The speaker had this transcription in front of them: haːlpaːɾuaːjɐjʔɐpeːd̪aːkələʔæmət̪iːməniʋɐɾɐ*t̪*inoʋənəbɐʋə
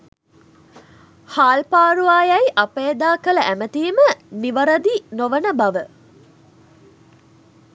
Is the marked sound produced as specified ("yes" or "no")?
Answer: no